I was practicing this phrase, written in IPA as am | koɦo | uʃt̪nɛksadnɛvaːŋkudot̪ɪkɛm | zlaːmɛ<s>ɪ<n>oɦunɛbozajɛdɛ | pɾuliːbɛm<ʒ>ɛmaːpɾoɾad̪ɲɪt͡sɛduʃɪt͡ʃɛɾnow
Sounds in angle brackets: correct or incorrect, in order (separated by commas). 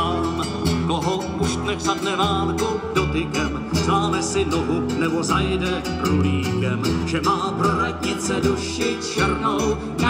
correct, correct, correct